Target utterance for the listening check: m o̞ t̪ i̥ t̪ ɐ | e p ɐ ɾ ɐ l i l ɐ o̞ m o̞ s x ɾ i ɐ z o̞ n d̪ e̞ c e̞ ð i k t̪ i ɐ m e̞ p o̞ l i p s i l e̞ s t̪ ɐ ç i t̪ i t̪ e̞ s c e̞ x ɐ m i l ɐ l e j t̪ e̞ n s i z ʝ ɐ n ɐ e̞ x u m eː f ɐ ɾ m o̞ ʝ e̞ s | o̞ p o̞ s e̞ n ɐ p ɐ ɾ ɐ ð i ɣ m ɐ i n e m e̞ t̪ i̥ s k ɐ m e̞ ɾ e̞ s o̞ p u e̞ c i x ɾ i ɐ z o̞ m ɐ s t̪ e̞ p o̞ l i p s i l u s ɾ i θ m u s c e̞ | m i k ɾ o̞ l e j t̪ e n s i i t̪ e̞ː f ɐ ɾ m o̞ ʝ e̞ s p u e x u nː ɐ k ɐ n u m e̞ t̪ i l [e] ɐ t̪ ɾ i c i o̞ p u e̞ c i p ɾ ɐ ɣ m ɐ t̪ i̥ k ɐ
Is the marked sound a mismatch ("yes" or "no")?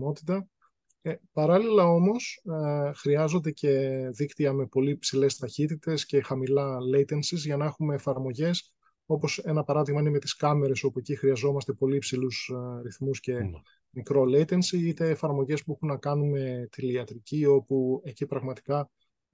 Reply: yes